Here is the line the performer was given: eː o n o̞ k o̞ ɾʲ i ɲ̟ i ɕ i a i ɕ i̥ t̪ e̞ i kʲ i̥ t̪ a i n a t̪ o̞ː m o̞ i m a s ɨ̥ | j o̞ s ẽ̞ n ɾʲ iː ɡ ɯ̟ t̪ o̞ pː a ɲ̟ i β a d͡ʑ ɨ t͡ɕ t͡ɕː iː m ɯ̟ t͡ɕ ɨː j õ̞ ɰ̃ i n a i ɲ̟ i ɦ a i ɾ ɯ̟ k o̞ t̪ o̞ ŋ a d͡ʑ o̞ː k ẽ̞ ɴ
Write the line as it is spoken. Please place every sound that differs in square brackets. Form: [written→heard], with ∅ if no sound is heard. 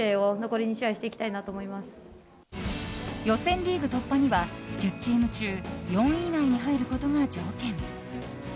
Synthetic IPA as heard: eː o n o̞ k o̞ ɾʲ i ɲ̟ i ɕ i a i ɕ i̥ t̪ e̞ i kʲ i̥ t̪ a i n a t̪ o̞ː m o̞ i m a s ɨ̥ | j o̞ s ẽ̞ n ɾʲ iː ɡ ɯ̟ t̪ o̞ pː a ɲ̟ i β a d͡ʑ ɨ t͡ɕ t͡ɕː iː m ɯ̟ t͡ɕ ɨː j õ̞ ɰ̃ i n a i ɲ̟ i ɦ a i ɾ ɯ̟ k o̞ t̪ o̞ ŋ a d͡ʑ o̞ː k ẽ̞ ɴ